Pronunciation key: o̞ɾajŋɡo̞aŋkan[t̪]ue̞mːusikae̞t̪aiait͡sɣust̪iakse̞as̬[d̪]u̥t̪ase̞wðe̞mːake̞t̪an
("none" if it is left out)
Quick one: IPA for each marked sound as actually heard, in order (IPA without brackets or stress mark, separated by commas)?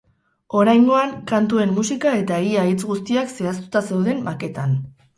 t̪, t̪